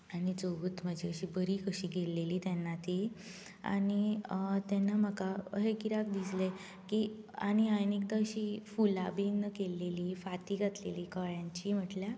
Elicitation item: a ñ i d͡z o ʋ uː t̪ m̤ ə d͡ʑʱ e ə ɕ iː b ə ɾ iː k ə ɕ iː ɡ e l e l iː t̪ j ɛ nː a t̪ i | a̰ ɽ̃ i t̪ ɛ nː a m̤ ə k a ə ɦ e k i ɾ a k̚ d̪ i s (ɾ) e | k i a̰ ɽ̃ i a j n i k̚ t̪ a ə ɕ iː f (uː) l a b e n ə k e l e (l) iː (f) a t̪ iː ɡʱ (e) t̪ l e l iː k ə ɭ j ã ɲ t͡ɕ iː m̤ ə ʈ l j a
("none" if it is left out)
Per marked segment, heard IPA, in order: l, u, l, f, a

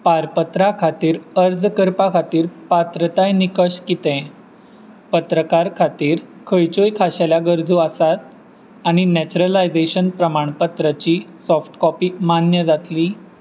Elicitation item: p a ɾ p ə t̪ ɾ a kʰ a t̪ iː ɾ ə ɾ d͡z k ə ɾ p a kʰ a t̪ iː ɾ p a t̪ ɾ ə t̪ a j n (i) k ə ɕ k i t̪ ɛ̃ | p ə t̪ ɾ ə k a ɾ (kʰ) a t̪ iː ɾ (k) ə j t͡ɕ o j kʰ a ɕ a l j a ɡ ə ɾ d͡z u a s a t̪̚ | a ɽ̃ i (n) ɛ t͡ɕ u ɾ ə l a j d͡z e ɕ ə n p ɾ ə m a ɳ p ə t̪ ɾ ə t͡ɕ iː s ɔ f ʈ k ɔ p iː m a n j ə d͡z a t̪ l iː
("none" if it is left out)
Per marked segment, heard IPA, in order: i, kʰ, kʰ, n

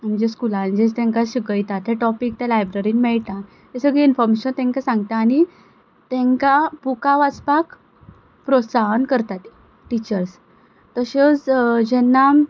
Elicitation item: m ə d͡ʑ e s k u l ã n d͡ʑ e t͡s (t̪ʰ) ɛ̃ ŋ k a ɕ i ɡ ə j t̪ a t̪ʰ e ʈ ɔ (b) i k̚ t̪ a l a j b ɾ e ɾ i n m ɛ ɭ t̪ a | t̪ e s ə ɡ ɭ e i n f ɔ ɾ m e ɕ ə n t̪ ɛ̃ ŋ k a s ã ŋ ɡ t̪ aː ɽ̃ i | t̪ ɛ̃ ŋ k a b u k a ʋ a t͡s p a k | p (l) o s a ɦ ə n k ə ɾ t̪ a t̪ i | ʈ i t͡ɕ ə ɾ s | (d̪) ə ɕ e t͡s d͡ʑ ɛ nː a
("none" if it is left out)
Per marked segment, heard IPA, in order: t̪, p, ɾ, t̪

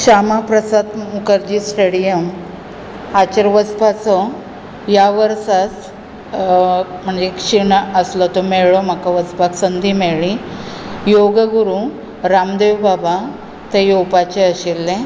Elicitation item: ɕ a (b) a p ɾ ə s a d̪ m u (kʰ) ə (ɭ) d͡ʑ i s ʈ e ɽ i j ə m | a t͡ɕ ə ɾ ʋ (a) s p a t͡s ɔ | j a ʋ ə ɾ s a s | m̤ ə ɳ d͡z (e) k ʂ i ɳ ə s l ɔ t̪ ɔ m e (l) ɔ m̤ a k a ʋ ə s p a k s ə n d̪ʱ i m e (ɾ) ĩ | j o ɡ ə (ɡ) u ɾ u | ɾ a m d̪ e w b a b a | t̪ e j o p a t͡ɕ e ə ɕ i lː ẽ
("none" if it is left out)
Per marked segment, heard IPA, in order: m, k, ɾ, ə, e, ɭ, ɭ, ɡ

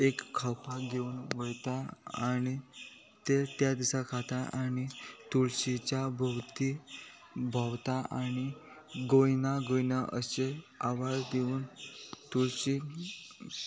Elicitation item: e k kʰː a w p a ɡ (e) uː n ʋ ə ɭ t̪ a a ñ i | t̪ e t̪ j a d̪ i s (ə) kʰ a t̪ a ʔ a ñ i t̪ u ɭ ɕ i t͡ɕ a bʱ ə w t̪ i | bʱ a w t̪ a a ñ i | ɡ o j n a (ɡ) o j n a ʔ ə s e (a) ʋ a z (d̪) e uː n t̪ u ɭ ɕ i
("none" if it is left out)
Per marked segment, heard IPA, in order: e, a, ɡ, a, d̪

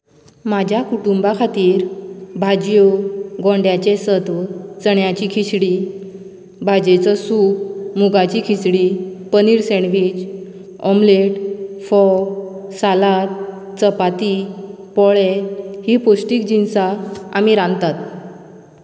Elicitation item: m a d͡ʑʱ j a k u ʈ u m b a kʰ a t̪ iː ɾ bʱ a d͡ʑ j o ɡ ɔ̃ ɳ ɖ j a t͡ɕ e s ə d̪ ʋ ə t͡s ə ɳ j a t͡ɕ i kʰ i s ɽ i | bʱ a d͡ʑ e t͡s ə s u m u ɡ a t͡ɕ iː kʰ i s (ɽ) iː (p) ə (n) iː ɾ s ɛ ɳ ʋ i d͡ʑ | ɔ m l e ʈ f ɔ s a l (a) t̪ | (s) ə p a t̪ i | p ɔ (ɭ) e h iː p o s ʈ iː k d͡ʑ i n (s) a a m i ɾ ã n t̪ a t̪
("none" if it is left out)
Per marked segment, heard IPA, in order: ɽ, p, n, a, t͡s, ɭ, s

